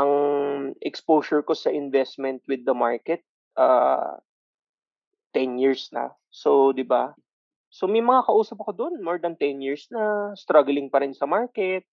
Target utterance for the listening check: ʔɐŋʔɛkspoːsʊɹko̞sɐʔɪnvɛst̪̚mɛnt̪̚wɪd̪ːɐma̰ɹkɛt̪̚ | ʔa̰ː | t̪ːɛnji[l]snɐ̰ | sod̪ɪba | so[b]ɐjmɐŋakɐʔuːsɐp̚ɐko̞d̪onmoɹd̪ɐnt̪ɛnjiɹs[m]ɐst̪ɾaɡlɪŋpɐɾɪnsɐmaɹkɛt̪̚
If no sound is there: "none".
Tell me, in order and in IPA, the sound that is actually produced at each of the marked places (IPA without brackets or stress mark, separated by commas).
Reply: ɹ, m, n